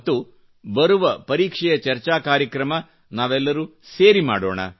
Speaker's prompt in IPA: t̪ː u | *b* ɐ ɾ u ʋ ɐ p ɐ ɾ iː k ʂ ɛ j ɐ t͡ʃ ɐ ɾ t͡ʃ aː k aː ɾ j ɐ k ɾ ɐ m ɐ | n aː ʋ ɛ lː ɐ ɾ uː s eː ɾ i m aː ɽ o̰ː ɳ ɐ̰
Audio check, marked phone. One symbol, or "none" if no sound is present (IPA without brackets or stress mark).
b